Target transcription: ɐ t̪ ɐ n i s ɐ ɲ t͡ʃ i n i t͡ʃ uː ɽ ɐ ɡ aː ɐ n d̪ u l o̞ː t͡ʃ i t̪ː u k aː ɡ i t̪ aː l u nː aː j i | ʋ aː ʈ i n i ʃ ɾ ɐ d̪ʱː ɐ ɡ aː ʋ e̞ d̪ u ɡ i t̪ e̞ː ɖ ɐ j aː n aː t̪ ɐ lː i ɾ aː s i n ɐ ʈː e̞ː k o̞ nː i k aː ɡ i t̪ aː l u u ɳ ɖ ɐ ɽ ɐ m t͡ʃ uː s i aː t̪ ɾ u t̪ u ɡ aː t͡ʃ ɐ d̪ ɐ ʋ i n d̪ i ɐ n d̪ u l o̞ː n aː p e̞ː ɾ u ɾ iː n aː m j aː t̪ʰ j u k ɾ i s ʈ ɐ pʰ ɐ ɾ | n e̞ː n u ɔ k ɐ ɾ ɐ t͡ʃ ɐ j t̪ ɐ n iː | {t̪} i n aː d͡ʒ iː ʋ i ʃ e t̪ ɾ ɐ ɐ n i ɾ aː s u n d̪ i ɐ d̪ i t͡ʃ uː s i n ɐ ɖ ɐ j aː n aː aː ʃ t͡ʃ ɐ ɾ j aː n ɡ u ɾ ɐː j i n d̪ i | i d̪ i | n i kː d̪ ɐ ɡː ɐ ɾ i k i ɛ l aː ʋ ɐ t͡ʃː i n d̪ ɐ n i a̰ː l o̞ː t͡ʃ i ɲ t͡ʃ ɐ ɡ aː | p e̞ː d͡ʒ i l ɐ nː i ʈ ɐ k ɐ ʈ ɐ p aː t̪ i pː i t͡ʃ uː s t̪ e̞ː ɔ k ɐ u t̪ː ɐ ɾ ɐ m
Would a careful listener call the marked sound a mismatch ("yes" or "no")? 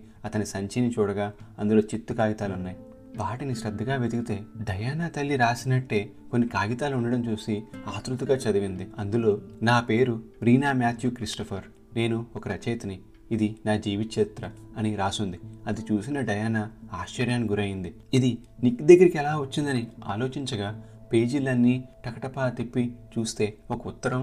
yes